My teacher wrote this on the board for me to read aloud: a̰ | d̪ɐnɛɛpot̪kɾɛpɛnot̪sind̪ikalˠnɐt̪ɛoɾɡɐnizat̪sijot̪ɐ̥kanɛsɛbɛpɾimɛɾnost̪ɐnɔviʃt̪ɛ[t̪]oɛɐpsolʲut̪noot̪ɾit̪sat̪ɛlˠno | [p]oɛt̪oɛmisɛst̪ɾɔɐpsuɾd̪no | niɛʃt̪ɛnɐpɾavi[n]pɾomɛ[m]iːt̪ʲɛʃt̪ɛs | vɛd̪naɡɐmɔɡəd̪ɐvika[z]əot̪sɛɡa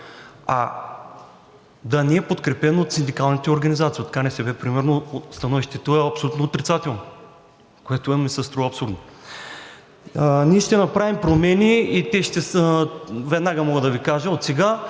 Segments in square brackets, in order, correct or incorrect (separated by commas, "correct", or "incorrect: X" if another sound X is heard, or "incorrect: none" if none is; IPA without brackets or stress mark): correct, incorrect: k, incorrect: m, incorrect: n, incorrect: ʒ